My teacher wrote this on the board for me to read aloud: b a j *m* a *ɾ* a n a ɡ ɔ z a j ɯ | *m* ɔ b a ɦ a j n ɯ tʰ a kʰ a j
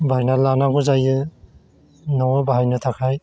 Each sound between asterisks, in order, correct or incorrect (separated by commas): incorrect, incorrect, incorrect